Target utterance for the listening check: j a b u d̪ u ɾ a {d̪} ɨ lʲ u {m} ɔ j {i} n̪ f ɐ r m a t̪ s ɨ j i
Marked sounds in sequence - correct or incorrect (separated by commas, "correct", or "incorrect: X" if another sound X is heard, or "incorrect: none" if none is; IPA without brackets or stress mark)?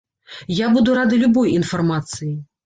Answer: correct, incorrect: b, correct